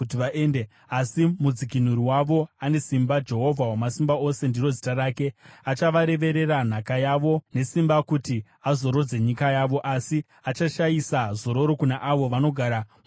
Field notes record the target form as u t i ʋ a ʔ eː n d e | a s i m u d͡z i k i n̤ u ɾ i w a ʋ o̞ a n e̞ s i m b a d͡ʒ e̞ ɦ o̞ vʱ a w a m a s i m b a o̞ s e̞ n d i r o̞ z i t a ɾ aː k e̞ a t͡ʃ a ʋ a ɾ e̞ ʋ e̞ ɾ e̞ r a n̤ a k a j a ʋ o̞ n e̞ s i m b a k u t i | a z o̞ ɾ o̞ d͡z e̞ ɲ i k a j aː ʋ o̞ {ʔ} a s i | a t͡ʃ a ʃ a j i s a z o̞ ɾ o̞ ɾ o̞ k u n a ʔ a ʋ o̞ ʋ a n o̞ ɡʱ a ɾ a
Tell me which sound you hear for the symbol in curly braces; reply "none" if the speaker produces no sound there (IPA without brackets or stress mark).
ʔ